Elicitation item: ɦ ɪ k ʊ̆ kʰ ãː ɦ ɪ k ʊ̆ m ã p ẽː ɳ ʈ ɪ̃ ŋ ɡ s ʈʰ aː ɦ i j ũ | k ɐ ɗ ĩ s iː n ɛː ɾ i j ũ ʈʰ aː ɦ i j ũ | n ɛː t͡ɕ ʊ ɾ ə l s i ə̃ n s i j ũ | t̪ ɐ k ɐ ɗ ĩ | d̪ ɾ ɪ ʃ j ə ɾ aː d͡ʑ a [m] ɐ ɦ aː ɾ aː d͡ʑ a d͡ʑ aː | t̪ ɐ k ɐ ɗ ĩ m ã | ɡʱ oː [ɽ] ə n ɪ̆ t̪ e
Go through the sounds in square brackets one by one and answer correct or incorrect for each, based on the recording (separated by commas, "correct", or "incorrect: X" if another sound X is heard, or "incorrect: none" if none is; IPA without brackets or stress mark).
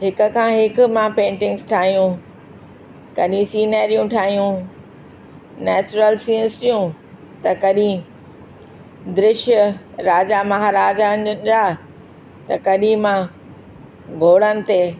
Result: correct, correct